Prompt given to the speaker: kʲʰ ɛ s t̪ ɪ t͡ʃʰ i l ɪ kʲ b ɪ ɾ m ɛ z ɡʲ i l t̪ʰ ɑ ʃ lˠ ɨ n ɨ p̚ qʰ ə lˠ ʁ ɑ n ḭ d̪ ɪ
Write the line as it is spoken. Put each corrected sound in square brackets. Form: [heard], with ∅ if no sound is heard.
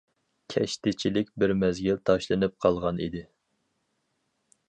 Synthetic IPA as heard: kʲʰ ɛ [ʃ] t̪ ɪ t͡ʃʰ i l ɪ kʲ b ɪ ɾ m ɛ z ɡʲ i l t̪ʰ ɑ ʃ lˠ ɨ n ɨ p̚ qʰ [ɑ] lˠ ʁ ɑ n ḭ d̪ ɪ